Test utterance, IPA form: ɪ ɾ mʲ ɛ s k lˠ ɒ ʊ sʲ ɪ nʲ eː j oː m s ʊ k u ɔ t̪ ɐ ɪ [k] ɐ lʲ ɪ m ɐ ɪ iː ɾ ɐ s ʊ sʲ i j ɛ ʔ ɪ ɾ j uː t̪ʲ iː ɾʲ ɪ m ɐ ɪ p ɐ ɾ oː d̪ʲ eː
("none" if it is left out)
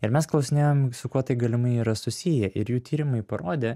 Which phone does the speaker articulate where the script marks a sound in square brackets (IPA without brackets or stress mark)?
ɡ